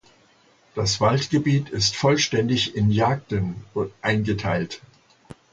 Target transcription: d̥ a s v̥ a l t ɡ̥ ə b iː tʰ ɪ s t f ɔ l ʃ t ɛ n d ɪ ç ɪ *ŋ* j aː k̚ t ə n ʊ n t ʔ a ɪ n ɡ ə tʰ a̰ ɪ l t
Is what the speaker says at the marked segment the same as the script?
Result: no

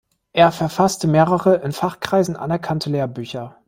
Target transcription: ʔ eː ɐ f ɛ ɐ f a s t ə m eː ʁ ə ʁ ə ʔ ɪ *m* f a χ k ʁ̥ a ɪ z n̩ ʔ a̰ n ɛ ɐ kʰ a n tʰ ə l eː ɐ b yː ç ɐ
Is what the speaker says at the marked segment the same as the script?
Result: no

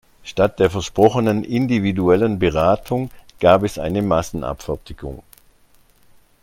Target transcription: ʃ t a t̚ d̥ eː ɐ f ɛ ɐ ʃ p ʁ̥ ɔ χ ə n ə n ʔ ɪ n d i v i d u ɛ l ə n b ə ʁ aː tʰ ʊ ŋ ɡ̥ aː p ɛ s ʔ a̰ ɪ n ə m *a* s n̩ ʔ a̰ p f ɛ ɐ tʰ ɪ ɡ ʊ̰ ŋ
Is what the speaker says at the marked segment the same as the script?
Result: yes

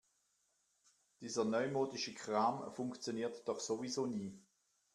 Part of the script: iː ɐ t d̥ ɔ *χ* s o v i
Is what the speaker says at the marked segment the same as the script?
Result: yes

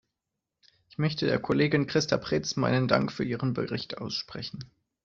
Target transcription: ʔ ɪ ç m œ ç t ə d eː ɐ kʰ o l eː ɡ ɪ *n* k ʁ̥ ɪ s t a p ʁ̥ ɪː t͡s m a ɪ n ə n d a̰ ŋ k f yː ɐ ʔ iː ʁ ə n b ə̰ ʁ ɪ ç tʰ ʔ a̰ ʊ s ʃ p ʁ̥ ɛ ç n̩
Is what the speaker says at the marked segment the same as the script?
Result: yes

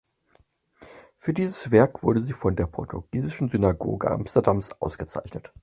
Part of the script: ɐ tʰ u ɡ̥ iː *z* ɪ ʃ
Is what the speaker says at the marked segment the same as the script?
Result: yes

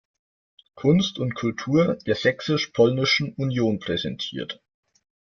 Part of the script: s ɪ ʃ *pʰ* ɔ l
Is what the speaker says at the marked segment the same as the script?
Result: yes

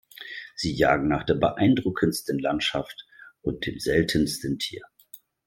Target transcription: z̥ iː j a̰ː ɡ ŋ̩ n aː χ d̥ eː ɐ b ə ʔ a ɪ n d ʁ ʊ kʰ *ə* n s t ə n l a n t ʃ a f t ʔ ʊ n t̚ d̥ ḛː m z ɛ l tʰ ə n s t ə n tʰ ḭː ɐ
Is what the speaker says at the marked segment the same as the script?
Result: yes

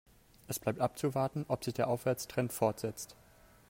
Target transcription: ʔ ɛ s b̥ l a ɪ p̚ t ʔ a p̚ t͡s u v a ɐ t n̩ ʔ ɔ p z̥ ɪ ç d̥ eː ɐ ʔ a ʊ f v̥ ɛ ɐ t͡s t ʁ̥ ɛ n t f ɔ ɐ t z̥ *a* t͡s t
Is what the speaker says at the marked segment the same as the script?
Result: no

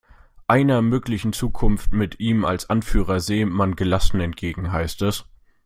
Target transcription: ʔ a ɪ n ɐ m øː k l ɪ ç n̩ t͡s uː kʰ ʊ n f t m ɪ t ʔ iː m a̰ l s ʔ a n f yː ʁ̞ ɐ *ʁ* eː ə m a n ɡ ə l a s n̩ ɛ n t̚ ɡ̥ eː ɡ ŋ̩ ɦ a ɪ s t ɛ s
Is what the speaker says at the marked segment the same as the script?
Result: no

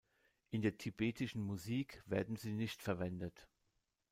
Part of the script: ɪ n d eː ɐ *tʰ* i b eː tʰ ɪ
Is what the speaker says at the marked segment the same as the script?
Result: yes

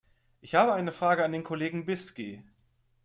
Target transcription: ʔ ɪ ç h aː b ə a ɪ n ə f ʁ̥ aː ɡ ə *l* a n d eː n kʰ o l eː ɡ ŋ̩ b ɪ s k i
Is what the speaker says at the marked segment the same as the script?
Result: no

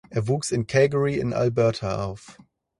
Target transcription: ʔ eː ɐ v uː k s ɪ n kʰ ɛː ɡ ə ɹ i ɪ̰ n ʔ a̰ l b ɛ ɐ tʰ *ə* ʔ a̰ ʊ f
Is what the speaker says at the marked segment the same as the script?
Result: no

